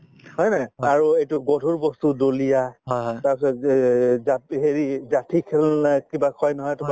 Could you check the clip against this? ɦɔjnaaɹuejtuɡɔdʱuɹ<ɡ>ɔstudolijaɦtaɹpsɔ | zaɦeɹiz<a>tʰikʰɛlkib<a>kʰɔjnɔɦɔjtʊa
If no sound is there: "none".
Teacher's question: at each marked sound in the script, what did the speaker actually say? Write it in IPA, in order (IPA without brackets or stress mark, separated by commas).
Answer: b, a, a